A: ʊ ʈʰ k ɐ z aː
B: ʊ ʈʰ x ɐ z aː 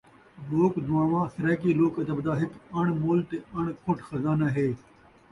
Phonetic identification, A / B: B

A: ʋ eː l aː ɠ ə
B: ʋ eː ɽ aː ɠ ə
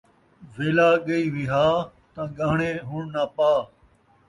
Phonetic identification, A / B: A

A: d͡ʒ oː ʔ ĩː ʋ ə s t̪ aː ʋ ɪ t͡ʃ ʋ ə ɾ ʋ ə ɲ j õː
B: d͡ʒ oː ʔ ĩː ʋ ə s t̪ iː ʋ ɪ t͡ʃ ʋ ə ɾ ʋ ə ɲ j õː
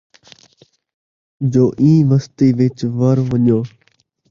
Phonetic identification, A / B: B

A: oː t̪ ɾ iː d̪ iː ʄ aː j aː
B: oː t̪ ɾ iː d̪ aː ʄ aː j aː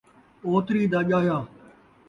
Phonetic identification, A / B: B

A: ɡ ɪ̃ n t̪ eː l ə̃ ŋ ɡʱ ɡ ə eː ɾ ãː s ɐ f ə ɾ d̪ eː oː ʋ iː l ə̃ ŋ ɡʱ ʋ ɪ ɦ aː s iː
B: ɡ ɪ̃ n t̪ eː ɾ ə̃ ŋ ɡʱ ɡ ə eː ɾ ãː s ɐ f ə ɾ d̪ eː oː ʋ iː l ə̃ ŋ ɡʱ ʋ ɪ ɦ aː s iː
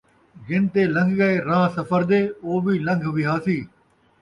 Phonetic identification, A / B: A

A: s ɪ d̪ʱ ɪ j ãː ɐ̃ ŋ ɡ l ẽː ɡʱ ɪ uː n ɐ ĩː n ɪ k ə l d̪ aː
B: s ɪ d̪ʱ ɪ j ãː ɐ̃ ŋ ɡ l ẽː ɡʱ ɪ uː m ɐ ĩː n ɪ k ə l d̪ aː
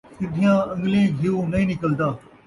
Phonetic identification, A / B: A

